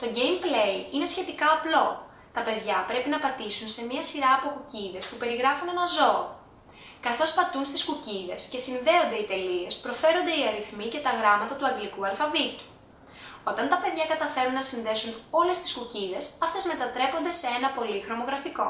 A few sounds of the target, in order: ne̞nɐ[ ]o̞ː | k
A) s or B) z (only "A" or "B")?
B